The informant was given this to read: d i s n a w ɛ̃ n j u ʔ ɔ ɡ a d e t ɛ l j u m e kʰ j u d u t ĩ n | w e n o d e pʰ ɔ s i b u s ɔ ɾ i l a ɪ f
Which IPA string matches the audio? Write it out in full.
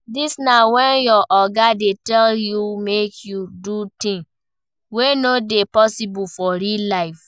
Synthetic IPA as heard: d i s n a w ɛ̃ n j ɔ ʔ ɔ ɡ a d e t ɛ l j u m e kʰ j u d u t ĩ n | w e n o d e p ɔ s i b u f ɔ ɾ i l a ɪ f

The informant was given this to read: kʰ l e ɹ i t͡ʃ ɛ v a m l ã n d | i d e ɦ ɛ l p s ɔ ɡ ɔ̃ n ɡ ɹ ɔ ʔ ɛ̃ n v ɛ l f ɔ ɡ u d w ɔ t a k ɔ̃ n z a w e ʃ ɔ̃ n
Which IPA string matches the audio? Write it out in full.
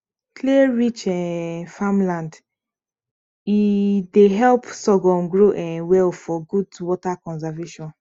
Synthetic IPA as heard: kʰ l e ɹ i t͡ʃ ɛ f a m l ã n d | i d e ɦ ɛ l p s ɔ ɡ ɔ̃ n ɡ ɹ o ʔ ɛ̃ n w ɛ l f ɔ ɡ u d w ɔ t a k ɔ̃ n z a v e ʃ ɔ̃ n

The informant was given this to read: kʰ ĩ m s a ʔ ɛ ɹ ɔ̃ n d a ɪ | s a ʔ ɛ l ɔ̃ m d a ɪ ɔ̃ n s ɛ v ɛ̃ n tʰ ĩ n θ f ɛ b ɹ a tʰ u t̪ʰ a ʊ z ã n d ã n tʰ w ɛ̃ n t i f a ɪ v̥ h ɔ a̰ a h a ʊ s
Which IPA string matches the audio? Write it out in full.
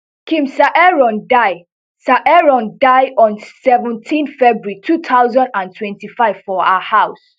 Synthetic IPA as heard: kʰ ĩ m s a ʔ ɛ ɹ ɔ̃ n d a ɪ | s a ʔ ɛ ɹ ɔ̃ n d a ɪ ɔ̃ n s ɛ v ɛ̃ n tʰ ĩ n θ f ɛ b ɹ i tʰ u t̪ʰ a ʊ z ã n d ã n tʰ w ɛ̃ n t i f a ɪ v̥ f ɔ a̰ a h a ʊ s

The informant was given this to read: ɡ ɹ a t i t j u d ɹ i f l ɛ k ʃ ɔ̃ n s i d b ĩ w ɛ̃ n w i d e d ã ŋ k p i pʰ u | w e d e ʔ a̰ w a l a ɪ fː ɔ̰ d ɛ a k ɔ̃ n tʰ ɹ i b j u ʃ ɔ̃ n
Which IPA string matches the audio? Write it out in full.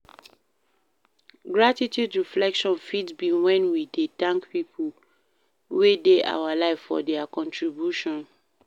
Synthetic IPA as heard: ɡ ɹ a t i t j u d ɹ i f l ɛ k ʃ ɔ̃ n f i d b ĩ w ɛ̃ n w i d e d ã ŋ k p i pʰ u | w e d e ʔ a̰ w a l a ɪ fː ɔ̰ d ɛ a k ɔ̃ n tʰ ɹ i b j u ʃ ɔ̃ n

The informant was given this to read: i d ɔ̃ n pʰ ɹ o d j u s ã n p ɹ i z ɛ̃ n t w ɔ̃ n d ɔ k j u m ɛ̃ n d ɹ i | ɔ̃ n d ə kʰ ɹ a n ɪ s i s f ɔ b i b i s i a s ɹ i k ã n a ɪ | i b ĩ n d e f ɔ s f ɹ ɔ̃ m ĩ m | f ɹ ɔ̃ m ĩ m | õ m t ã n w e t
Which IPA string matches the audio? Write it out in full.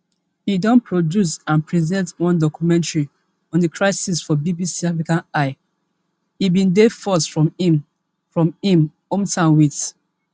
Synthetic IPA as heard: i d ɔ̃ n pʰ ɹ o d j u s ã n p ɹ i z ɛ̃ n t w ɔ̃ n d ɔ k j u m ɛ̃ n t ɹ i | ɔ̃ n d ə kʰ ɹ a ɪ s i s f ɔ b i b i s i a f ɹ i k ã n a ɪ | i b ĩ n d e f ɔ s f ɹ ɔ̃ m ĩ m | f ɹ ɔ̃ m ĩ m | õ m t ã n w i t

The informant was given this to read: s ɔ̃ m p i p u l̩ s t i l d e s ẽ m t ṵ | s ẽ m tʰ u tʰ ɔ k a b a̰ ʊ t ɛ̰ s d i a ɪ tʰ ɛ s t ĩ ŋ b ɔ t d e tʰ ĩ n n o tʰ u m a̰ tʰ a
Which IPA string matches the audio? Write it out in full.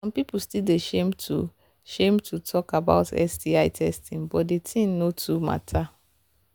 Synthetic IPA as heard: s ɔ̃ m p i p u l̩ s t i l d e ʃ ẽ m t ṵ | ʃ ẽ m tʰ u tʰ ɔ k a b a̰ ʊ t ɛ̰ s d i a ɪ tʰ ɛ s t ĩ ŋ b ɔ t d e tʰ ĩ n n o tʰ u m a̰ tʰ a

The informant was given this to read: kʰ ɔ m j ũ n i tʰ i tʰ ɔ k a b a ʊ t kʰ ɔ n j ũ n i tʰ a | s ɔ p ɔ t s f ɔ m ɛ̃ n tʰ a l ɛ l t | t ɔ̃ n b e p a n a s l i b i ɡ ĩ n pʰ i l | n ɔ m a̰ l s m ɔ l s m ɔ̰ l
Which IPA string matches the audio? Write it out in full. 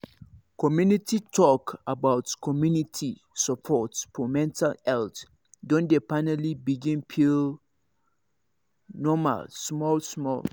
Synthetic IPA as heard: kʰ ɔ m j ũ n i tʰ i tʰ ɔ k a b a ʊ t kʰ ɔ m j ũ n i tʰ i | s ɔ pʰ ɔ t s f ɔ m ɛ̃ n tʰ a l ɛ l t | d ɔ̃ n d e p a n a l i b i ɡ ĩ n pʰ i l | n ɔ m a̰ l s m ɔ l s m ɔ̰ l

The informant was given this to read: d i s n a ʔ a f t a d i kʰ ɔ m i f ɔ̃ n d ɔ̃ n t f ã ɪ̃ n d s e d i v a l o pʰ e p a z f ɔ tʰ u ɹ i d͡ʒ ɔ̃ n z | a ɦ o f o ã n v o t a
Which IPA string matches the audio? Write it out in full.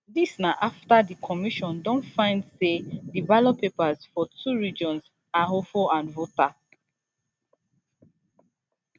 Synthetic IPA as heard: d i s n a ʔ a f t a d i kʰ ɔ m i ʃ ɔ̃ n d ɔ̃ n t f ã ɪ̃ n d s e d i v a l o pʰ e p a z f ɔ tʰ u ɹ i d͡ʒ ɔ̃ n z | a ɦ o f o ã n v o t a

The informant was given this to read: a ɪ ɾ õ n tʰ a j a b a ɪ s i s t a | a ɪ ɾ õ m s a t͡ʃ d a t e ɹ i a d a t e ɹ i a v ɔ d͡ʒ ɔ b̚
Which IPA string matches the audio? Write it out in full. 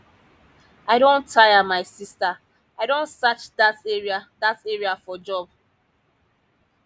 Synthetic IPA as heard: a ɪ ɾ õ n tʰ a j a m a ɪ s i s t a | a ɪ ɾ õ n s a t͡ʃ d a t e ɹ i a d a t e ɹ i a f ɔ d͡ʒ ɔ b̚

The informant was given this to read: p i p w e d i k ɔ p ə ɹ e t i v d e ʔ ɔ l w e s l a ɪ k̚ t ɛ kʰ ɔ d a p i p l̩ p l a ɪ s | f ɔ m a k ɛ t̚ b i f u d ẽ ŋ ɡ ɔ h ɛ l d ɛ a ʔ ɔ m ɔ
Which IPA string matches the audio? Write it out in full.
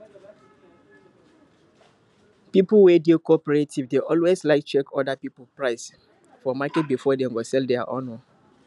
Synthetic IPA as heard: p i p w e d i k ɔ p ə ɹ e t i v d e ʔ ɔ l w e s l a ɪ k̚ t͡ʃ ɛ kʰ ɔ d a p i p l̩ p ɹ a ɪ s | f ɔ m a k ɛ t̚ b i f ɔ d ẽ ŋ ɡ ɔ s ɛ l d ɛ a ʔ ɔ n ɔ

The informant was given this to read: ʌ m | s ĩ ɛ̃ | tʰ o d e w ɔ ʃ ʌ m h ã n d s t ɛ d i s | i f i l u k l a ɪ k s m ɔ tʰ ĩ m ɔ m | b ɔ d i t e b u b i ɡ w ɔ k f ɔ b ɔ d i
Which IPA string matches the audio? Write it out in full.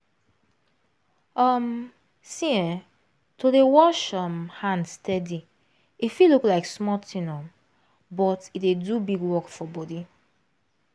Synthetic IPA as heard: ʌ m | s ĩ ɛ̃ | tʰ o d e w ɔ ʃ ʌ m h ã n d s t ɛ d i | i f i l u k l a ɪ k s m ɔ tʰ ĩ n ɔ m | b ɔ t i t e d u b i ɡ w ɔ k f ɔ b ɔ d i

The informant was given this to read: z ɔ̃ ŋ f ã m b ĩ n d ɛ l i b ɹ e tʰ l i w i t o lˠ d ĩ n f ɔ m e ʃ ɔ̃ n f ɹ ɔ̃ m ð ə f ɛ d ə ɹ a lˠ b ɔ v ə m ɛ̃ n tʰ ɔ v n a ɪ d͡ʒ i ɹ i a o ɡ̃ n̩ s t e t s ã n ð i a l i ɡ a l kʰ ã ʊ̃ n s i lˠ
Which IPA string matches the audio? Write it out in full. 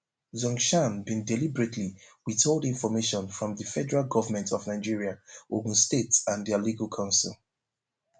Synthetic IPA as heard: z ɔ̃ ŋ ʃ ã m b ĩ n d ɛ l i b ɹ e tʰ l i w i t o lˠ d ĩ n f ɔ m e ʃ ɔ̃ n f ɹ ɔ̃ m ð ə f ɛ d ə ɹ a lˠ ɡ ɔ v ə m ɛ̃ n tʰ ɔ v n a ɪ d͡ʒ i ɹ i a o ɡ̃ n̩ s t e t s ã n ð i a l i ɡ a l kʰ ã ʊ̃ n s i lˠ

